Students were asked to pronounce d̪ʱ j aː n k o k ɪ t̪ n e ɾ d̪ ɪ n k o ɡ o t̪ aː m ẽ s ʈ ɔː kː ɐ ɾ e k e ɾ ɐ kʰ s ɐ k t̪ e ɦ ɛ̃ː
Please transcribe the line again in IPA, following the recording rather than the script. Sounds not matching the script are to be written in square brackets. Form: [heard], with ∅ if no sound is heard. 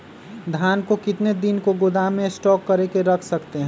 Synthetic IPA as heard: d̪ʱ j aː n k o k ɪ t̪ n e [∅] d̪ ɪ n k o ɡ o [d̪] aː m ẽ s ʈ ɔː kː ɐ ɾ e k e ɾ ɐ kʰ s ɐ k t̪ e ɦ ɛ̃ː